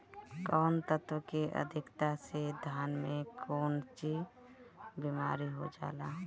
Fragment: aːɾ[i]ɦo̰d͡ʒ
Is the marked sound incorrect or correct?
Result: correct